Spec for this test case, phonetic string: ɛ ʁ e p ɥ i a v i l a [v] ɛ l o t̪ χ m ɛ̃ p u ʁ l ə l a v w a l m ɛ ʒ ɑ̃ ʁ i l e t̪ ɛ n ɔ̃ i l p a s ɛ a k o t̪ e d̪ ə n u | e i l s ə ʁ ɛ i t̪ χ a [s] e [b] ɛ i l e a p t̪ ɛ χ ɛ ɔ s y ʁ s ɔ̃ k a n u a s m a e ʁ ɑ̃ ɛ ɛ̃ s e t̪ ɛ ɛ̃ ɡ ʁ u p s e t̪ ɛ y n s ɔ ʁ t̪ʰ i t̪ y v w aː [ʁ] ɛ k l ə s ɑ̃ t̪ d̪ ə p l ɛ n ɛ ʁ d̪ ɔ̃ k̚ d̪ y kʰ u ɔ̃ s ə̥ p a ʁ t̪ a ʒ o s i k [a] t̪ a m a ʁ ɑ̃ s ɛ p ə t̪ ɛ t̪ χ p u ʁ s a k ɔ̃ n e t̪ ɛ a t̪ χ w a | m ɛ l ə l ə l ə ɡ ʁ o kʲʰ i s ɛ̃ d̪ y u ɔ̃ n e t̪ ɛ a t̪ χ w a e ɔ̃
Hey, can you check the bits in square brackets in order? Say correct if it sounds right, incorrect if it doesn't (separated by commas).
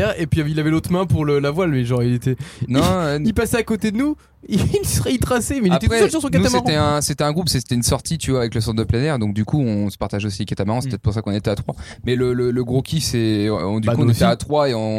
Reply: correct, correct, incorrect, incorrect, correct